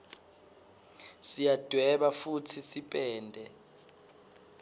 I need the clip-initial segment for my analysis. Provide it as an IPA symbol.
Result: s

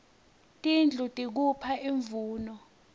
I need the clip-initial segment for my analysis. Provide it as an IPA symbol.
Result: tʼ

